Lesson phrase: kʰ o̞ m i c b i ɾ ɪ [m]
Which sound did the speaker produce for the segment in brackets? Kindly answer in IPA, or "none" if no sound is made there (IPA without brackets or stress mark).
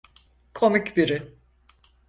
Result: none